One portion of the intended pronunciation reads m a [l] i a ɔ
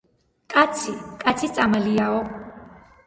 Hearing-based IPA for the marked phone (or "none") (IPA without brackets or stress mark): l